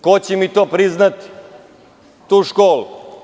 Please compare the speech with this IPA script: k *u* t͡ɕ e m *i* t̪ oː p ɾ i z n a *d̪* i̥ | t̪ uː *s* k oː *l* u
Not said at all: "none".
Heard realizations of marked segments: o, i, t̪, ʃ, l

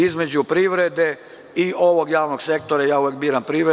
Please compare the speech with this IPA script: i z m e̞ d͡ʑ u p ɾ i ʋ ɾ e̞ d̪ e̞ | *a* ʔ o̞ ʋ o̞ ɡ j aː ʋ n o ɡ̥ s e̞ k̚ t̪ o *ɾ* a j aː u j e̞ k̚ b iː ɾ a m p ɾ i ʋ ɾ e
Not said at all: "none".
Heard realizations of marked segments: i, ɾ

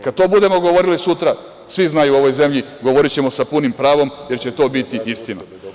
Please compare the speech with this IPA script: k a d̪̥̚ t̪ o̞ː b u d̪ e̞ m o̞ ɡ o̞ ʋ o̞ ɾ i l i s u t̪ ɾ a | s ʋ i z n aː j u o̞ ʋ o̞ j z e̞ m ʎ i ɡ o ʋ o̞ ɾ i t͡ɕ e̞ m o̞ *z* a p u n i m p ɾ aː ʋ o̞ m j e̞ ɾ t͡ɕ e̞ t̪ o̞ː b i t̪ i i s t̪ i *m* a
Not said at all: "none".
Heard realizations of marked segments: s, n

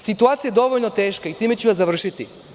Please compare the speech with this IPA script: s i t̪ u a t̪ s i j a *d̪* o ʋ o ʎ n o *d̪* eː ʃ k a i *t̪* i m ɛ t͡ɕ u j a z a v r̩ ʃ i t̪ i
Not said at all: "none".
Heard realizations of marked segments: d̪, t̪, t̪

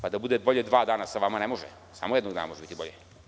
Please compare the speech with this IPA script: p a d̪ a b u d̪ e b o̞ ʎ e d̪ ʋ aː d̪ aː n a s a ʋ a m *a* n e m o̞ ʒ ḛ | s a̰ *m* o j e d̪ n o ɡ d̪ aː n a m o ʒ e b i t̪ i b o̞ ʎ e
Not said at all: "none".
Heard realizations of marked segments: a, m

